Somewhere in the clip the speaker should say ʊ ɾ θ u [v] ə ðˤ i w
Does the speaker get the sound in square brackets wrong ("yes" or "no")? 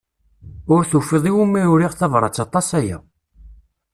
yes